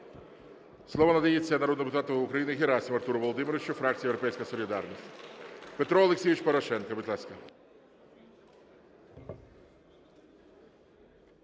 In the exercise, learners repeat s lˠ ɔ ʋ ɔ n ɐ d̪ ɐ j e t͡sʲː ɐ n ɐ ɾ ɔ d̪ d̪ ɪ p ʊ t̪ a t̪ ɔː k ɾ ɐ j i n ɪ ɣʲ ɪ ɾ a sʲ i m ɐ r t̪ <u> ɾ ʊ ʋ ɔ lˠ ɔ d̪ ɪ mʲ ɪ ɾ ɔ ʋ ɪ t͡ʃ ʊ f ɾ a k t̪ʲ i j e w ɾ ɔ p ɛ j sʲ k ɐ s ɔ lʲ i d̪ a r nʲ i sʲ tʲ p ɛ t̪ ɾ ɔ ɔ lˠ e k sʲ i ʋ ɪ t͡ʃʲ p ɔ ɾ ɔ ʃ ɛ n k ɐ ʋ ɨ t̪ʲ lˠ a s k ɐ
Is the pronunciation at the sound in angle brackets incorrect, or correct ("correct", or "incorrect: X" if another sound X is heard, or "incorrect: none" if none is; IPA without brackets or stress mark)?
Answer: correct